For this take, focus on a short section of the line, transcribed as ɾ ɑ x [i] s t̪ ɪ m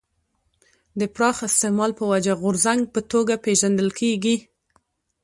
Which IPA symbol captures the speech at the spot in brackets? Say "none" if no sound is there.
ɪ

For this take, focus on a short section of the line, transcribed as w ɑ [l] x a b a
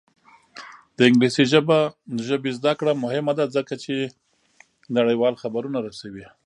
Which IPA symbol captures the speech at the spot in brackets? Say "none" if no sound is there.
l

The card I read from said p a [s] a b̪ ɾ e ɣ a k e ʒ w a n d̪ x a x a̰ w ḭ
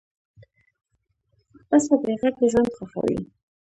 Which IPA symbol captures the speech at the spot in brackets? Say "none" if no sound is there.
s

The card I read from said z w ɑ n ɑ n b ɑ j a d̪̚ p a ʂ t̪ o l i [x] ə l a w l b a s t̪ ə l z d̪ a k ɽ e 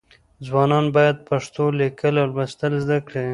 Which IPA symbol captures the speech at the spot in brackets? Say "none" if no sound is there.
k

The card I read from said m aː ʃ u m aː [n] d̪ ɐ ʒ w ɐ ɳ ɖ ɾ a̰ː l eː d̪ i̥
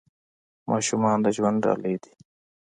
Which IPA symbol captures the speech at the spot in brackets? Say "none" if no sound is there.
n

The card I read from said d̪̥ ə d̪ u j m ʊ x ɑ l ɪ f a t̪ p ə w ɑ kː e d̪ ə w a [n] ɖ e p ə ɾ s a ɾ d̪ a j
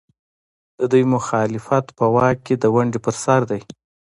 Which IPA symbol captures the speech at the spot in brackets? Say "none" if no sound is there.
ɳ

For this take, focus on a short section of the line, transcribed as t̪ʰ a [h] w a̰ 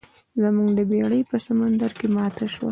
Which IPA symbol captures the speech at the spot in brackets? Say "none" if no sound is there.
ʃ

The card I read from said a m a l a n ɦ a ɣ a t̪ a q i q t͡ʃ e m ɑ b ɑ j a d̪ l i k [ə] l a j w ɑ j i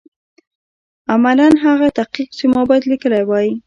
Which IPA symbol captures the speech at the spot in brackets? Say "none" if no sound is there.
ə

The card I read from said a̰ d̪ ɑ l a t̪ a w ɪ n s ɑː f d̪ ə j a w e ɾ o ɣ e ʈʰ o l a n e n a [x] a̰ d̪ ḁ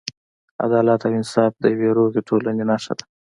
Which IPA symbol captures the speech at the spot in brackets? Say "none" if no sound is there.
ʂ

